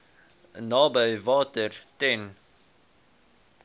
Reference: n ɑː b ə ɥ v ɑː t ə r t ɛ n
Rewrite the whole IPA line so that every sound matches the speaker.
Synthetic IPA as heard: n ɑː b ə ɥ v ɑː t ə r t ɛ n

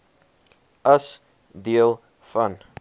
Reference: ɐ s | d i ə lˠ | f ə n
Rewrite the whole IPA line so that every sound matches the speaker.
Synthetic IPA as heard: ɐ s | d i ə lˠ | f ɐ n

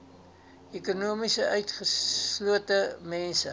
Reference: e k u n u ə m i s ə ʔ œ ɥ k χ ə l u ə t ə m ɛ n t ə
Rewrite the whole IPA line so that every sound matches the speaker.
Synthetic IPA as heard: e k u n u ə m i s ə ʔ œ ɥ t χ ə l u ə t ə m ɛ n s ə

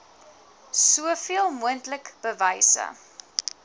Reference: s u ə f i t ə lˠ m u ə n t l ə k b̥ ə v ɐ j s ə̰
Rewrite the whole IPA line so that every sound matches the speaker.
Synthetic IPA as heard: s u ə f i ə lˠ m u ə n t l ə k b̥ ə v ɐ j s ə̰

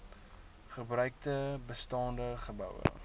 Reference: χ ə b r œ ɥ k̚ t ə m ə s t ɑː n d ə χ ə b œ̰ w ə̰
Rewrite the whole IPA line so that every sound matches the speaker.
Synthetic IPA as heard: χ ə b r œ ɥ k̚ t ə b ə s t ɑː n d ə χ ə b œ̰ w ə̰

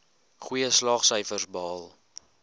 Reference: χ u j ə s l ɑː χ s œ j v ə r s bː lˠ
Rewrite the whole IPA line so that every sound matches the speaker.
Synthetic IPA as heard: χ u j ə s l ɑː χ s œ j f ə r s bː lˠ

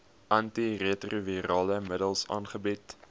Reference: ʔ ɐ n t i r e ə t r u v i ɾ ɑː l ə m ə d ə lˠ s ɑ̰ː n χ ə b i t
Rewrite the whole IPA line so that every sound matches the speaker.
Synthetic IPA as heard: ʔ ɐ n t i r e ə t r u v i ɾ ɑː l ə m ə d ə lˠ s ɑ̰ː n χ ə b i t

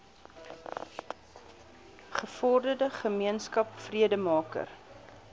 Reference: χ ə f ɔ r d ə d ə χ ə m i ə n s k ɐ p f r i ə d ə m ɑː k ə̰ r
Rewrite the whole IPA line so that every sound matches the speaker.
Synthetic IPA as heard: χ ə f ɔ r d ə d ə χ ə m i ə n s k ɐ p f r i ə d ə m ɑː k ə̰ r

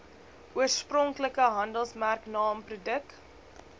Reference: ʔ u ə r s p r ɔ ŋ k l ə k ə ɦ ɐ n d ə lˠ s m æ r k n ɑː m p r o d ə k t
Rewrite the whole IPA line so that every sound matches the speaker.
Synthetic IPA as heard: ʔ u ə r s p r ɔ ŋ k l ə k ə ɦ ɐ n d ə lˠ s m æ r k n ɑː m p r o d ə k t

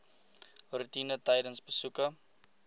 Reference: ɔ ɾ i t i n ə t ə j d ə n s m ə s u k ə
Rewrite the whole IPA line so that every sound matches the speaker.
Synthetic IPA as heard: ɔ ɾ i t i n ə t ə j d ə n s b ə s u k ə

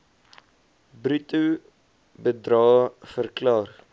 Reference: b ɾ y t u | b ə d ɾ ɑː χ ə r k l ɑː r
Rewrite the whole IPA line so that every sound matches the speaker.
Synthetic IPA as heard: b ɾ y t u | b ə d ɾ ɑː f ə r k l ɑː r

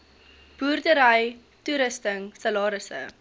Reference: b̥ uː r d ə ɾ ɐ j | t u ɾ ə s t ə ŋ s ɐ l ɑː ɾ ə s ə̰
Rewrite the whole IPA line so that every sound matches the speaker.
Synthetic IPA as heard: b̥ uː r d ə ɾ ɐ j | t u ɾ ə s t ə ŋ s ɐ l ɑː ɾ ə s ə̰

